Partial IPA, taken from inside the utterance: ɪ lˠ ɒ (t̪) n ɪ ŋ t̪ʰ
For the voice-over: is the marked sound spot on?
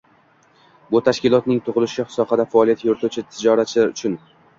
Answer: yes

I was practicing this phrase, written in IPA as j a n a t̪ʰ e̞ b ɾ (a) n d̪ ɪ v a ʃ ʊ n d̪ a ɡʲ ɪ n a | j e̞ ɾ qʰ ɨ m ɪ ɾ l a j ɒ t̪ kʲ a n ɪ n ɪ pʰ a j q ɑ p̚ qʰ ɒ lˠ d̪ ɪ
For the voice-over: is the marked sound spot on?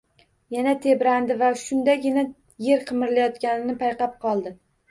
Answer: yes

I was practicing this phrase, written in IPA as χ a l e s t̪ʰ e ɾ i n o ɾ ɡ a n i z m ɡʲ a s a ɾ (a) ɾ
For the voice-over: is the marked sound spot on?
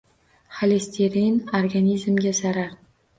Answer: yes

